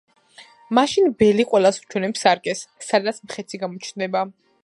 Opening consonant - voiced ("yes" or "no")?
yes